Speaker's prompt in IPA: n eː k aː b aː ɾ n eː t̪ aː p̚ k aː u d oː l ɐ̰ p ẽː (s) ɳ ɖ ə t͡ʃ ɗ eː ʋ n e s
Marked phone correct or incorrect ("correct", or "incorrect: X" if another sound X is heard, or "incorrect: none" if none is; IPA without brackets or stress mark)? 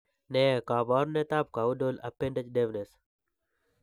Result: incorrect: none